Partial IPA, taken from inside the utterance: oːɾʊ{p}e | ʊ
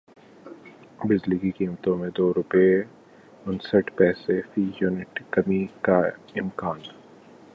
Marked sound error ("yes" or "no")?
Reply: no